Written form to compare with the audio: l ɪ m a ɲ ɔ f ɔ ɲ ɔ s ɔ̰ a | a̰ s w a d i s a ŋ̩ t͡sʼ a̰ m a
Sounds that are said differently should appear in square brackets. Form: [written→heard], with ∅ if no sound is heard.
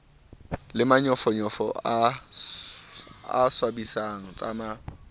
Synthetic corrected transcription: l ɪ m a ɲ ɔ f ɔ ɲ ɔ [s→f] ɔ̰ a | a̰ s w a [d→b] i s a ŋ̩ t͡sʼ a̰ m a